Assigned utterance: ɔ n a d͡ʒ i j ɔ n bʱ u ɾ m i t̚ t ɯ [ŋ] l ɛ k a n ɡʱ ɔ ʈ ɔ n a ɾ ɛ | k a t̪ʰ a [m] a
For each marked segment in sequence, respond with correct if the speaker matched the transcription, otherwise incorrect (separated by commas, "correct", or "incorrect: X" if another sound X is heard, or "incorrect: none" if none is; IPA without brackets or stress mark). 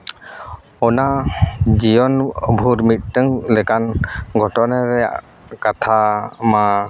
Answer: correct, correct